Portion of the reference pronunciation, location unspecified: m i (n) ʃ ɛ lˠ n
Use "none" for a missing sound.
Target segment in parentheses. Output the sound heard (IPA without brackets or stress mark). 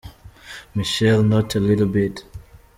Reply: none